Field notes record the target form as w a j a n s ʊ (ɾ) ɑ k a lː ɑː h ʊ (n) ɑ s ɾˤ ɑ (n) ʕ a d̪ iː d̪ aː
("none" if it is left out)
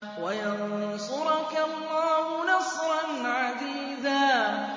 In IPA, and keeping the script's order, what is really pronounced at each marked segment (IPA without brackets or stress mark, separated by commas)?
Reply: ɾ, n, n